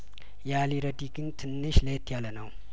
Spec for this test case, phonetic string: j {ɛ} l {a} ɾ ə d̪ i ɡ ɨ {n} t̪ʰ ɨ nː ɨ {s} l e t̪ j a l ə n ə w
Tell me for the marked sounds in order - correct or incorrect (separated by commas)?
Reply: incorrect, incorrect, correct, incorrect